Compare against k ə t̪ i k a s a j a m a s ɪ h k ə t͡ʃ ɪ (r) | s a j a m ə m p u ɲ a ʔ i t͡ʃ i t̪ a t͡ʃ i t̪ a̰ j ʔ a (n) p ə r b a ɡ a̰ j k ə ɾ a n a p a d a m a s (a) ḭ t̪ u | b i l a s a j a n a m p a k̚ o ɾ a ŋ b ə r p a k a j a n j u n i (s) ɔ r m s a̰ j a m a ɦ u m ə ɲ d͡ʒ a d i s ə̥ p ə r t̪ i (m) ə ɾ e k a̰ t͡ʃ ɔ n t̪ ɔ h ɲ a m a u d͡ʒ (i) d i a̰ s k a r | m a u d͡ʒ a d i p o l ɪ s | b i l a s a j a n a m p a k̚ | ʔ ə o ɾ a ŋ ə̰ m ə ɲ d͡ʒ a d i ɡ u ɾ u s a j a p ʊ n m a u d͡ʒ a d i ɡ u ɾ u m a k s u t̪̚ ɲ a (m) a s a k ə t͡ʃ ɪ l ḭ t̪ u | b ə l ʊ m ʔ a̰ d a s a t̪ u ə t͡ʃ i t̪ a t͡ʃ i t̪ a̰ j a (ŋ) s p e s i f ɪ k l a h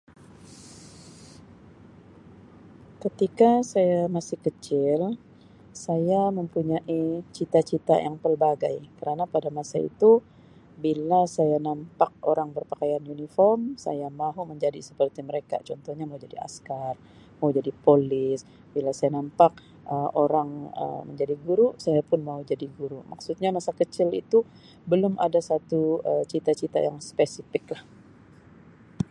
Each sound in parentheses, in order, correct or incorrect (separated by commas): incorrect, incorrect, correct, incorrect, correct, incorrect, correct, correct